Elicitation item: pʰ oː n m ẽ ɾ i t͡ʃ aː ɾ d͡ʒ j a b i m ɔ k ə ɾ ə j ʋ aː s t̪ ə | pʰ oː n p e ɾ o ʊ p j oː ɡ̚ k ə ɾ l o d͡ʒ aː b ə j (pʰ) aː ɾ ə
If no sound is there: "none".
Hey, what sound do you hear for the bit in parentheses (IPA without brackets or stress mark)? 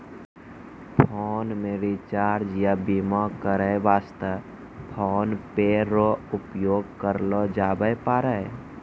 p